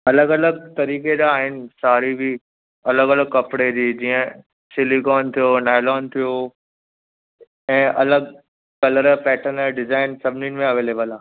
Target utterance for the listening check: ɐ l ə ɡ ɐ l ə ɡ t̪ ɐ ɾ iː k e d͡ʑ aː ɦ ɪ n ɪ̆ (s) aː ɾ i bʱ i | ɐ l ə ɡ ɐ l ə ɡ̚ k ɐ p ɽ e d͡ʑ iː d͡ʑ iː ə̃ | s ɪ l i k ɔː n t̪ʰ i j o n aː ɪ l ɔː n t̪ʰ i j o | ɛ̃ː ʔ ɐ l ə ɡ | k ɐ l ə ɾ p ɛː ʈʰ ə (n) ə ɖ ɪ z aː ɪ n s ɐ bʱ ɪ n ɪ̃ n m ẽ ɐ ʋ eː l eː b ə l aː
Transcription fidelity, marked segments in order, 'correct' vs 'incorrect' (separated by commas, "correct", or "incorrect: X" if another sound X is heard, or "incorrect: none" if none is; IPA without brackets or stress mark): correct, correct